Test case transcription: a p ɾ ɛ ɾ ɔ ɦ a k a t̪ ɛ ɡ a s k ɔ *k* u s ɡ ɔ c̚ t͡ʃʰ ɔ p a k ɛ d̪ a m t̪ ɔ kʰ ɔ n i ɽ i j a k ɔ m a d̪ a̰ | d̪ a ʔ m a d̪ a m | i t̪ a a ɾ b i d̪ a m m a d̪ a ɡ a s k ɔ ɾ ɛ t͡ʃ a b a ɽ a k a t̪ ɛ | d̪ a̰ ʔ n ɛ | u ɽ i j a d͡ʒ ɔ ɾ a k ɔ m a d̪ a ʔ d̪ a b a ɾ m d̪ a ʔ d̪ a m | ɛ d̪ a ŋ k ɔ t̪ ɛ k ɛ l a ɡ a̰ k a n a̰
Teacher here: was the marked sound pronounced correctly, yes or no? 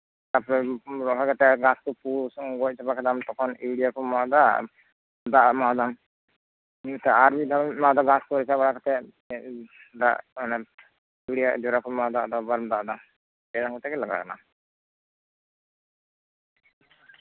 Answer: no